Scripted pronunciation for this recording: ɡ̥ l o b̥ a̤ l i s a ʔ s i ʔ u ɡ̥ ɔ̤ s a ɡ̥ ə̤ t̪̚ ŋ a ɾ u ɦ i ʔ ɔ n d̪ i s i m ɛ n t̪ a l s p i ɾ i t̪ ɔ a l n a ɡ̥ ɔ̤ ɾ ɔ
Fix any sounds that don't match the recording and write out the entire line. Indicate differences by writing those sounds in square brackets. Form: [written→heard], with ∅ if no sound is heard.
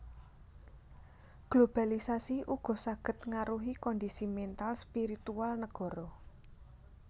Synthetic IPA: ɡ̥ l o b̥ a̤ l i s a [ʔ→∅] s i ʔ u ɡ̥ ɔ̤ s a ɡ̥ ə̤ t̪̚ ŋ a ɾ u ɦ i [ʔ→k] ɔ n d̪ i s i m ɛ n t̪ a l s p i ɾ i t̪ [ɔ→u] a l n [a→ə] ɡ̥ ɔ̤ ɾ ɔ